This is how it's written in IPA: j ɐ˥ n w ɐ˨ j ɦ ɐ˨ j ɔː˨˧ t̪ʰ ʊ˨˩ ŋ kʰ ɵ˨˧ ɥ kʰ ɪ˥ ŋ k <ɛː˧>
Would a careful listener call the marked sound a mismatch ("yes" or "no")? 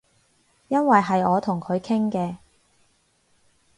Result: no